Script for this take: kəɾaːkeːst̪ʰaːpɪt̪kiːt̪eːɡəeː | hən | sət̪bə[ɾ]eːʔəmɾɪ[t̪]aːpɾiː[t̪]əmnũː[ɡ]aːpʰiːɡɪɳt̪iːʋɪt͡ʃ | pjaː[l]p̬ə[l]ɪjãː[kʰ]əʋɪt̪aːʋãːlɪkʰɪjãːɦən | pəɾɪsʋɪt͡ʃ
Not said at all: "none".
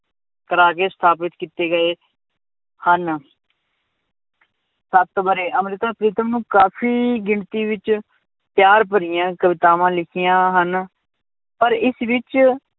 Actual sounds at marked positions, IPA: ɾ, t̪, t̪, k, ɾ, ɾ, k

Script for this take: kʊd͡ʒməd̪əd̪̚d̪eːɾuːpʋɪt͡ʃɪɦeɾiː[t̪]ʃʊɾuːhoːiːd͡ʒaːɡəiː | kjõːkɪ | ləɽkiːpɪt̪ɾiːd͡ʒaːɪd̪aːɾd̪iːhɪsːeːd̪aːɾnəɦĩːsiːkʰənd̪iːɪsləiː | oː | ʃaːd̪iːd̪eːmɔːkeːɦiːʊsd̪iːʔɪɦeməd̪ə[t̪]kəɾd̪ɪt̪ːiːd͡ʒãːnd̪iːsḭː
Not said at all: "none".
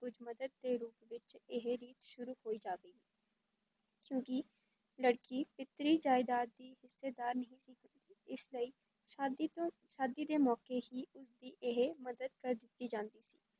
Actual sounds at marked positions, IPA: t̪, d̪

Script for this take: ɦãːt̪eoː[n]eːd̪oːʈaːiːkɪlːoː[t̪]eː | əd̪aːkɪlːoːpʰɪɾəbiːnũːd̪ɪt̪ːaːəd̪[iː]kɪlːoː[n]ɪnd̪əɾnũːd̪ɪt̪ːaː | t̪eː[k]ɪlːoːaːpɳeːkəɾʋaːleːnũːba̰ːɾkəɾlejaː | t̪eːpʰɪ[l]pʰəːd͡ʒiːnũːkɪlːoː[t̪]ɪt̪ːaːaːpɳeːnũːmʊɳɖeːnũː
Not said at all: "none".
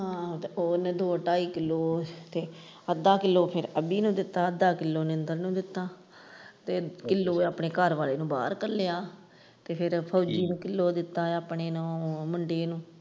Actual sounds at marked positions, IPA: n, t̪, aː, n, k, ɾ, d̪

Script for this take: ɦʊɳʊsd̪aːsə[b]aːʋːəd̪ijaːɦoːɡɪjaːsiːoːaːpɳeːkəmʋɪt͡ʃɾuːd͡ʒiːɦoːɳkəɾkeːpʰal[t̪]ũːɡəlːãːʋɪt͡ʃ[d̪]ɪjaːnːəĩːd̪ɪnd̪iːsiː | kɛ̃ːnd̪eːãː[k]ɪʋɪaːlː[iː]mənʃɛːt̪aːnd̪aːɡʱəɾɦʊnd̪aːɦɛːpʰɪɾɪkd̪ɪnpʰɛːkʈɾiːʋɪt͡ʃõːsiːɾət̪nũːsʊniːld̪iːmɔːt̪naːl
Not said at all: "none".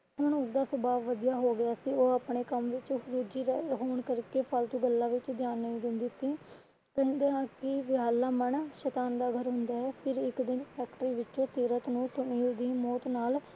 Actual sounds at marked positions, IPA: b, t̪, d̪, k, aː

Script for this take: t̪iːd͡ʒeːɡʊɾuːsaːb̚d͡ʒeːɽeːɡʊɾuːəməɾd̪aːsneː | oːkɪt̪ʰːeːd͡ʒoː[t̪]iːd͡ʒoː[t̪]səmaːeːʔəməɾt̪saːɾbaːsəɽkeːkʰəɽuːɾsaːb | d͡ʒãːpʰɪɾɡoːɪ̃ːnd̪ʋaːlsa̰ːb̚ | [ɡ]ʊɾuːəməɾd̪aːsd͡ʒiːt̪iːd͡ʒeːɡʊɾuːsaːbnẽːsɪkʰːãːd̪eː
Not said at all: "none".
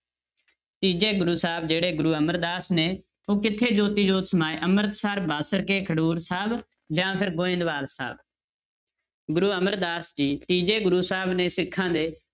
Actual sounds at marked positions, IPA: t̪, t̪, ɡ

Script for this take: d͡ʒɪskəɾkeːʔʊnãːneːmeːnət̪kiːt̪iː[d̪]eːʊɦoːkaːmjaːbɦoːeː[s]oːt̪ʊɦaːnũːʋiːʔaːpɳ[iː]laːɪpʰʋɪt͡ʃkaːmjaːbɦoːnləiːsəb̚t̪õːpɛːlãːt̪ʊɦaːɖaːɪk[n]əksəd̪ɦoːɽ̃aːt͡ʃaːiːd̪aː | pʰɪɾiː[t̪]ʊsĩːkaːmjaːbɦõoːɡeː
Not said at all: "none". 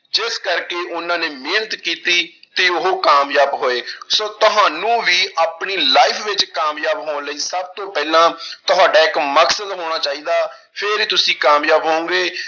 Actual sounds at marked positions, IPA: t̪, s, iː, m, t̪

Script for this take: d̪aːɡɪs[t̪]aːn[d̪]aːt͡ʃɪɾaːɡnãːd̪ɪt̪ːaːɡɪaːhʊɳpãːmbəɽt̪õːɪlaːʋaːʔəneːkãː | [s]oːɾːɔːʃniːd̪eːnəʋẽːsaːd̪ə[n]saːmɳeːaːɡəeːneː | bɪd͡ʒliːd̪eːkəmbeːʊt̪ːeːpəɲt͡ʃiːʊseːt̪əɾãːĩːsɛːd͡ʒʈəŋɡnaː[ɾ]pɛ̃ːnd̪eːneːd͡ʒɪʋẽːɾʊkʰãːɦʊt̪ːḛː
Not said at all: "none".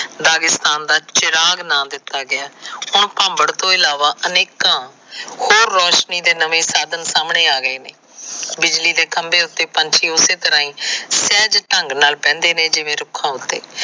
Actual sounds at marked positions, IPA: t̪, d̪, h, n, l

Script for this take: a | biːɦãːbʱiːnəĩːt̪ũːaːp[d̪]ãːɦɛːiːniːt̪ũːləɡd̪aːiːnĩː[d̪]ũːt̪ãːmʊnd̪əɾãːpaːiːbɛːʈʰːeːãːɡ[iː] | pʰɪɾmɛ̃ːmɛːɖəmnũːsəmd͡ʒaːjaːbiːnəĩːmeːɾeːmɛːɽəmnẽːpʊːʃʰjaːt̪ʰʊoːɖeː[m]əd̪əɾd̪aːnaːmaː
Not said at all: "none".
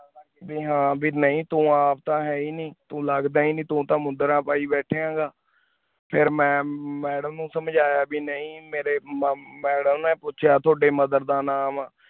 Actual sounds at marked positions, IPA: t̪, t̪, aː, m

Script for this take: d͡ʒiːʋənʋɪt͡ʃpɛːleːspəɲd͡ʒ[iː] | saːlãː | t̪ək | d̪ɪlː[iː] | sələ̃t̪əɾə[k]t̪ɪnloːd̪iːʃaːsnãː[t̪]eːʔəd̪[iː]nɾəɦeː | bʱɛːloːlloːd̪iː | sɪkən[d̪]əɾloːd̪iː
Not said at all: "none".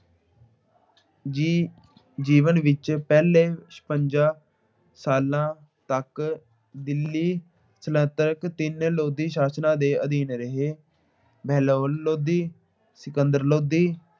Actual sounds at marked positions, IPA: aː, iː, k, d̪, iː, d̪

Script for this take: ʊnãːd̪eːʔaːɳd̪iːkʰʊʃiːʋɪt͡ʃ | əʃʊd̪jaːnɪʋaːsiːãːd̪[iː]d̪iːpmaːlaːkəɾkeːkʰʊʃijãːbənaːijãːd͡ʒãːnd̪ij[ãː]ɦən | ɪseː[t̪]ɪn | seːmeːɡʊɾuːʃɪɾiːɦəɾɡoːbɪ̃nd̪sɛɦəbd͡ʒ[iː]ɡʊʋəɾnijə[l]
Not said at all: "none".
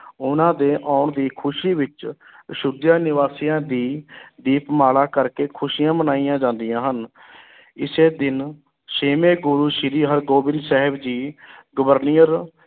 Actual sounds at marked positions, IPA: iː, ãː, d̪, iː, ɾ

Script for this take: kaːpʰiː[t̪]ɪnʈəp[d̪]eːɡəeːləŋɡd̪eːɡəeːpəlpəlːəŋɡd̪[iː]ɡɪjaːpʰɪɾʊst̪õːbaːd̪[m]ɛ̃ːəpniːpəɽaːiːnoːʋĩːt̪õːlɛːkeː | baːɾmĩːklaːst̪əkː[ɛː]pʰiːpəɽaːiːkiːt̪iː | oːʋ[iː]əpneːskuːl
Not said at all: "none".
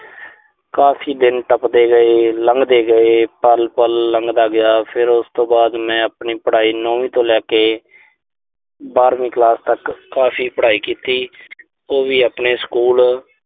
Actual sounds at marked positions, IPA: d̪, d̪, aː, m, aː, iː

